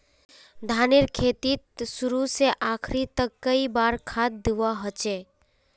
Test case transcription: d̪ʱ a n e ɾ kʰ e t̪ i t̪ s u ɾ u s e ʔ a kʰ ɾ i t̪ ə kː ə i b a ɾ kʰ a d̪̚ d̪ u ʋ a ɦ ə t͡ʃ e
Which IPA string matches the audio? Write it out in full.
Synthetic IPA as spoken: d̪ʱ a n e ɾ kʰ e t̪ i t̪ s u ɾ u s e ʔ a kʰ ɾ i t̪ ə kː ə i b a ɾ kʰ a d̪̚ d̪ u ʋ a ɦ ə t͡ʃ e